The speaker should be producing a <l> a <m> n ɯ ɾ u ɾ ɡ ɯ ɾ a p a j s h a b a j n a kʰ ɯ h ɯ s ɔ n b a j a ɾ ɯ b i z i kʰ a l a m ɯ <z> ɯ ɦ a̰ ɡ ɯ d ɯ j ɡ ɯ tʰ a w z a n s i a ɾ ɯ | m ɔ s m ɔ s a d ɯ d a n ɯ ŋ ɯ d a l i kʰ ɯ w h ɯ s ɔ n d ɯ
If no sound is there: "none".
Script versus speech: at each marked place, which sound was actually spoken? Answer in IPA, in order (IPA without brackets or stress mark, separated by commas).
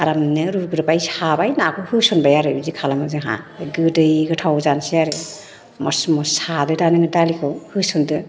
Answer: ɾ, m, z